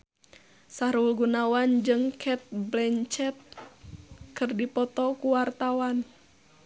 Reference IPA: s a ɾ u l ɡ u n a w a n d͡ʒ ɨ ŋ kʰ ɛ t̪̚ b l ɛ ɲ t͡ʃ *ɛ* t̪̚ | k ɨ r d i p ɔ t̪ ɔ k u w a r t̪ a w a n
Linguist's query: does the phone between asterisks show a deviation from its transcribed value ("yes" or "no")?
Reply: no